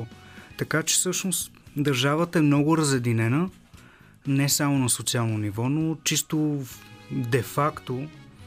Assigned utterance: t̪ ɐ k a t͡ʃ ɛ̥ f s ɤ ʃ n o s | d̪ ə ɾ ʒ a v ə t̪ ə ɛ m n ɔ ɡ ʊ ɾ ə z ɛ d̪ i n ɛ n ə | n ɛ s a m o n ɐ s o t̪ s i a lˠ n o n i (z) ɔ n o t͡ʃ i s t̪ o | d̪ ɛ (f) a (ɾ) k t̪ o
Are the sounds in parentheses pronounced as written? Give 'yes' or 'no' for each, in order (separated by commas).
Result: no, yes, no